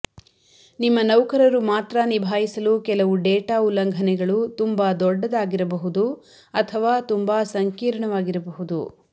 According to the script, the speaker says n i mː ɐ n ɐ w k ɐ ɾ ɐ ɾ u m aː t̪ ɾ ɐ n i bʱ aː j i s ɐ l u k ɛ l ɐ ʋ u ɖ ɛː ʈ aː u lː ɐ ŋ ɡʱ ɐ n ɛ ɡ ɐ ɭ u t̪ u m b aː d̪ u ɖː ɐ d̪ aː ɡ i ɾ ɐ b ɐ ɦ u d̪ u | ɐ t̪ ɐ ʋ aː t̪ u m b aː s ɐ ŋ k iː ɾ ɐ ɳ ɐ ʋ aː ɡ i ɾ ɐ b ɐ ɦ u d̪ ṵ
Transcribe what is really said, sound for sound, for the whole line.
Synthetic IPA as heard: n i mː ɐ n ɐ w k ɐ ɾ ɐ ɾ u m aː t̪ ɾ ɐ n i bʱ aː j i s ɐ l u k ɛ l ɐ ʋ u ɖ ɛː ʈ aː u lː ɐ ŋ ɡʱ ɐ n ɛ ɡ ɐ ɭ u t̪ u m b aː d̪ ɔ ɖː ɐ d̪ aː ɡ i ɾ ɐ b ɐ ɦ u d̪ u | ɐ t̪ʰ ɐ ʋ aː t̪ u m b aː s ɐ ŋ k iː ɾ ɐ ɳ ɐ ʋ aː ɡ i ɾ ɐ b ɐ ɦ u d̪ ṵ